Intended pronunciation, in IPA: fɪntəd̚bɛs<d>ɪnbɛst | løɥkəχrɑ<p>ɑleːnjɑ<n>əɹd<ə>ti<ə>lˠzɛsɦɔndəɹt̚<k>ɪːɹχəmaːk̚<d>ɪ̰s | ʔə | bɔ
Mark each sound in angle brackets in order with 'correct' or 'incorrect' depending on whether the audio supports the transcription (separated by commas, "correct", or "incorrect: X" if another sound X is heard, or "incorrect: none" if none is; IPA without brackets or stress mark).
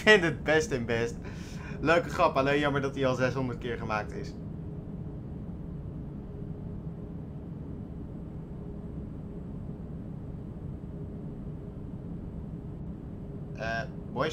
incorrect: t, correct, incorrect: m, incorrect: ɑ, incorrect: ɑ, correct, incorrect: t